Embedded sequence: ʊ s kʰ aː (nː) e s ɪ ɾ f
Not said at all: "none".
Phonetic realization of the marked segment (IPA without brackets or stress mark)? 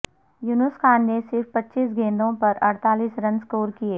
nː